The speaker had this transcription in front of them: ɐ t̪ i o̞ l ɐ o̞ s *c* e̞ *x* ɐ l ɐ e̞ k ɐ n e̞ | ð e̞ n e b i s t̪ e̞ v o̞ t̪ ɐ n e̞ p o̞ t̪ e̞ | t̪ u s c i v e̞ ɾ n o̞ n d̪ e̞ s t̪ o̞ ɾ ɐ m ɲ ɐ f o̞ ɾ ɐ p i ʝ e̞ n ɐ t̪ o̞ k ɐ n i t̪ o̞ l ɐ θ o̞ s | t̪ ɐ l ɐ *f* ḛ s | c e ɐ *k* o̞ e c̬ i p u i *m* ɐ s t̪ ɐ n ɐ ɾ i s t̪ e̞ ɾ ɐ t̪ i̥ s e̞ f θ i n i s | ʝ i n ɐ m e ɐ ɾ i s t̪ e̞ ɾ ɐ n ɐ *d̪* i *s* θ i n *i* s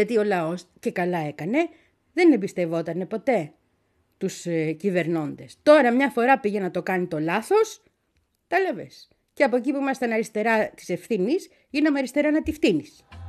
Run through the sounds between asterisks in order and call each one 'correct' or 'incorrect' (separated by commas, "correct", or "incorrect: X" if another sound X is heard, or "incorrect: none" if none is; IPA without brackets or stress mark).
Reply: correct, incorrect: k, incorrect: v, incorrect: p, correct, incorrect: t̪, incorrect: f, correct